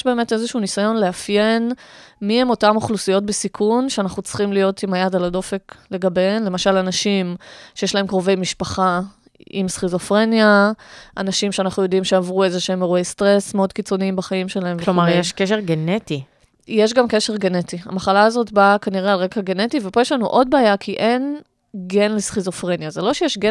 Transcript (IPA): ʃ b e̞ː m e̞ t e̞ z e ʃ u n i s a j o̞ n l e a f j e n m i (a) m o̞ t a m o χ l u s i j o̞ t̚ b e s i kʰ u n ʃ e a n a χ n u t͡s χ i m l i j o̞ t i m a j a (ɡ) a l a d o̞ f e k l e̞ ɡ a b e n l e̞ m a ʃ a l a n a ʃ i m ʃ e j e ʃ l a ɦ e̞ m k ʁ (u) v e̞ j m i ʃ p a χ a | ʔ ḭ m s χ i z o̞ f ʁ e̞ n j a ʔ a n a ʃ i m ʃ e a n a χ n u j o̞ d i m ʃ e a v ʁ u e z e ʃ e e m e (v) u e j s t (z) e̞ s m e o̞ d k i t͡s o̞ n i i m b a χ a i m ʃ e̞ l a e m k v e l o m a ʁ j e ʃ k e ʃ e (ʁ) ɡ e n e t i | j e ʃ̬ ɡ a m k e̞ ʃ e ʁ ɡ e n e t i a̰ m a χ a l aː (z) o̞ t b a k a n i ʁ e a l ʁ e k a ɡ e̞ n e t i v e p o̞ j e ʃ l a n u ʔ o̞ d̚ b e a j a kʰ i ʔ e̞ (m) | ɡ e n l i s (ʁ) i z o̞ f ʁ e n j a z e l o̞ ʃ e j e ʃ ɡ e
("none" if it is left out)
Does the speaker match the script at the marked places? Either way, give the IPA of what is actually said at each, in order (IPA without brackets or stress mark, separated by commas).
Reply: e, d, o, ʁ, ʁ, ʁ, z, n, χ